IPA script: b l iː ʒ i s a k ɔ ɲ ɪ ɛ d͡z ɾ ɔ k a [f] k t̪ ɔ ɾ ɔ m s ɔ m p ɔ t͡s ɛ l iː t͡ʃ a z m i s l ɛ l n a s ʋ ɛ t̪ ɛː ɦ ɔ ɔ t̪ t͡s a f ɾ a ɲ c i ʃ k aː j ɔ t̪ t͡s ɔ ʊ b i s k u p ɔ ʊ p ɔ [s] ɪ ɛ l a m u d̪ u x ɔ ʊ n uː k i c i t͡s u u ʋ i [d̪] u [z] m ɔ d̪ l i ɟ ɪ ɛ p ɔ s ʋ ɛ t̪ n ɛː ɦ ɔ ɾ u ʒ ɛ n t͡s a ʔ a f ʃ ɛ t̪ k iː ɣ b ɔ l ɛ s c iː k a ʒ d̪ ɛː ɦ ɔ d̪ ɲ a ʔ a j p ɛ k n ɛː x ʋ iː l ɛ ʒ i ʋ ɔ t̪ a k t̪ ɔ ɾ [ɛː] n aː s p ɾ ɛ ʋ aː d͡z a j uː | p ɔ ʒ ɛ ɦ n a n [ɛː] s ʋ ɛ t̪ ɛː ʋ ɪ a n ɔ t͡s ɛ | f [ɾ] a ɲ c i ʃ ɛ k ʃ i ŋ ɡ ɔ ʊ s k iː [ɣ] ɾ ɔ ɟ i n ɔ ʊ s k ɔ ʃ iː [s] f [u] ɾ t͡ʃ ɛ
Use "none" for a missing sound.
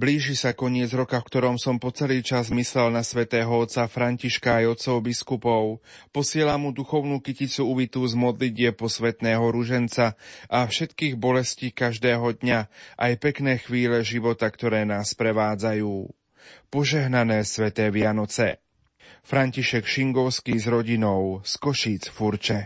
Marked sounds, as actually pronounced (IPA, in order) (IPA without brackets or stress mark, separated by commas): f, s, t̪, z, ɛː, ɛː, ɾ, z, t͡s, u